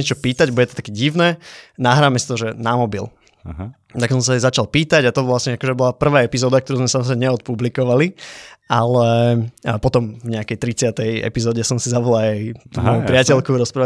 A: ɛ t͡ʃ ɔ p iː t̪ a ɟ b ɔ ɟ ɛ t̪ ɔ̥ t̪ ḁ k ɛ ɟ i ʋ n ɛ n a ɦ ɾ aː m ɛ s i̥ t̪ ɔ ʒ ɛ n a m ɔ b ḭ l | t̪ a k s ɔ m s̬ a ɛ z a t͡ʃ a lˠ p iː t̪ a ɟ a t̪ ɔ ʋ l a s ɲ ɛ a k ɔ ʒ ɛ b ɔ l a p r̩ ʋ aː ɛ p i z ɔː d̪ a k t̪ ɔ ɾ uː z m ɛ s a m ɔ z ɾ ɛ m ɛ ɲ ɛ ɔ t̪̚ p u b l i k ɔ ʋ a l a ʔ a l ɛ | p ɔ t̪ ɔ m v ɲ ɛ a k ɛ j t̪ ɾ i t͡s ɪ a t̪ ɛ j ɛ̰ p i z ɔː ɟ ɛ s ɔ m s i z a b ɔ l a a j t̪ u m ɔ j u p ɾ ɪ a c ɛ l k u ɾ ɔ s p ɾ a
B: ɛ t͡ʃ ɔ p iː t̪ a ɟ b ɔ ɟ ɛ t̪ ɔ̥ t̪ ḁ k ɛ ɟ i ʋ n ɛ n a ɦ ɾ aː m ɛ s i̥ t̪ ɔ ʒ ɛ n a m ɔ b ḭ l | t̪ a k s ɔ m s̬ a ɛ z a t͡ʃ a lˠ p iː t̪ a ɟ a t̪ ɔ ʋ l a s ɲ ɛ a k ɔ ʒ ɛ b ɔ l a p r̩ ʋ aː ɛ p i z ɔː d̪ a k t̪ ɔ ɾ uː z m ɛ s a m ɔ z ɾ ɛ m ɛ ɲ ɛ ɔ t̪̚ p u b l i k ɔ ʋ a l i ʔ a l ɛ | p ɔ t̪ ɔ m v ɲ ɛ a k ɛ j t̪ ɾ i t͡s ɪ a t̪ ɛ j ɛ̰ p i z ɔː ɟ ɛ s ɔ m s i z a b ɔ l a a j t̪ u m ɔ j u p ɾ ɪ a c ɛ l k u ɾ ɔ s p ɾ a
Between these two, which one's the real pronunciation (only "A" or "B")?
B